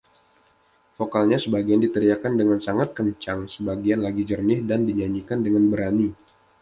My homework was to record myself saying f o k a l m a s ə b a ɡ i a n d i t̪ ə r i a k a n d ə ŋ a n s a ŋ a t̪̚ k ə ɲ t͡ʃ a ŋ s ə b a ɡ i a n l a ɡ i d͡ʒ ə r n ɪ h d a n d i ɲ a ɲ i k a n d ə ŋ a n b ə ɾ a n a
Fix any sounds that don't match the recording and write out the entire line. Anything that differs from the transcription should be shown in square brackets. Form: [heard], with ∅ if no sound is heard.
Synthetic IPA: f o k a l [ɲ] a s ə b a ɡ i a n d i t̪ ə [ɾ] i a k a n d ə ŋ a n s a ŋ a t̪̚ k ə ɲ t͡ʃ a ŋ s ə b a ɡ i a n l a ɡ i d͡ʒ ə r n ɪ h d a n d i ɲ a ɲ i k a n d ə ŋ a n b ə ɾ a n [i]